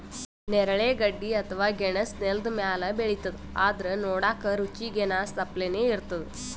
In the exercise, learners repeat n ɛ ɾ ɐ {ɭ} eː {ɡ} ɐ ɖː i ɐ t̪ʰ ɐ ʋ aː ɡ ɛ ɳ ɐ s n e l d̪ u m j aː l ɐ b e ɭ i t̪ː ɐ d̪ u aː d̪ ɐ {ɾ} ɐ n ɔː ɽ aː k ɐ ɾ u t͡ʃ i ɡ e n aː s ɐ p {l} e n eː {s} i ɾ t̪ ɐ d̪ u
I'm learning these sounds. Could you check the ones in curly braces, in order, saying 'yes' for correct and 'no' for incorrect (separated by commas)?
yes, yes, yes, yes, no